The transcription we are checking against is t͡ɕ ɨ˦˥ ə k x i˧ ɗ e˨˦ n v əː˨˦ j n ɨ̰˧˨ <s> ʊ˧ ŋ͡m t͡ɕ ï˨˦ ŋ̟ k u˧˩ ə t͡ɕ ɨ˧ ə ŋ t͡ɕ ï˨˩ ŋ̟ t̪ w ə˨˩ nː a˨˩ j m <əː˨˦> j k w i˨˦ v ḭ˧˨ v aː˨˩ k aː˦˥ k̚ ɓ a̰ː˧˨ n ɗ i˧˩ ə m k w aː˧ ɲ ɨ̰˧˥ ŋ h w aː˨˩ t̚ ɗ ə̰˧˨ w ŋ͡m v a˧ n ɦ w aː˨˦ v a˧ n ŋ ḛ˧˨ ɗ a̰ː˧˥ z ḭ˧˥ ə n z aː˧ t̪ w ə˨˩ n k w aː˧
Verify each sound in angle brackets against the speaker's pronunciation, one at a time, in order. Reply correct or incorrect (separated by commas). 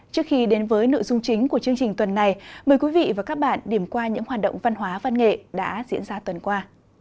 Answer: incorrect, incorrect